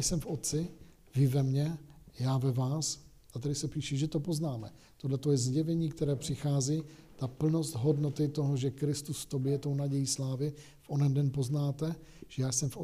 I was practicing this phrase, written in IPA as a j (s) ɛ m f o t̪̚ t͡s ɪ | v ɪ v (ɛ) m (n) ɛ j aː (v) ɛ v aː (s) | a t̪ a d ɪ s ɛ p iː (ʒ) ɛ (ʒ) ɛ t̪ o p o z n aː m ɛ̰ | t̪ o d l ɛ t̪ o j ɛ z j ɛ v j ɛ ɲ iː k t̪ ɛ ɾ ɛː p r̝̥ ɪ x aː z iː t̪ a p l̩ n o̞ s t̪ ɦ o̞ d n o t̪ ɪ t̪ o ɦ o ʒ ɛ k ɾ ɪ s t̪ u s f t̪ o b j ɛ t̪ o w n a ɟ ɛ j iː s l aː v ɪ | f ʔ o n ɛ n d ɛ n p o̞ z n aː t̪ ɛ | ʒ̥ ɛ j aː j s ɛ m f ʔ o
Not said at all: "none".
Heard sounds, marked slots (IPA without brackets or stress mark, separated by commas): s, ɛ, ɲ, v, s, ʃ, ʒ